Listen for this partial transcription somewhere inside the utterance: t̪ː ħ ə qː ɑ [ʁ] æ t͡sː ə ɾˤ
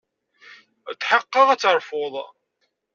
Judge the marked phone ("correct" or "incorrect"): correct